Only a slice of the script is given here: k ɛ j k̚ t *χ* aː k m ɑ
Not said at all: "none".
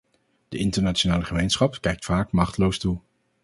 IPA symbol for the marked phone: f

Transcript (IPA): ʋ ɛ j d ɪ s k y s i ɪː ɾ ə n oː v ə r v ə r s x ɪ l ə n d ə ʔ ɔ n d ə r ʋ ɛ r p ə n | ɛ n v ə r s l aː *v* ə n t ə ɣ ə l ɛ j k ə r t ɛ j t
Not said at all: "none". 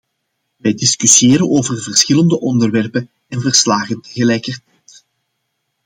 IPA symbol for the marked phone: ɣ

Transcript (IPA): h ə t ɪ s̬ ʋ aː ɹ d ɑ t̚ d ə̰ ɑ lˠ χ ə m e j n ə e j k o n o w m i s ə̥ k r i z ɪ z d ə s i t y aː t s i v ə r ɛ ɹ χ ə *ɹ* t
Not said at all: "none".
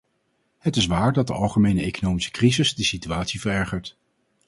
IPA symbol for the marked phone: ɹ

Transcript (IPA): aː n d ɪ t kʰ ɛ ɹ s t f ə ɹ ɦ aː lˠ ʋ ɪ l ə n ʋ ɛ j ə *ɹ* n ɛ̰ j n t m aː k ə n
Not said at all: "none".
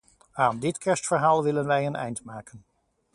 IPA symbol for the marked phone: none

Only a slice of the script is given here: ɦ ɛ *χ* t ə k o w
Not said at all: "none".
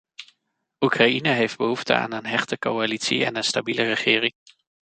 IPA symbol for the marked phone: χ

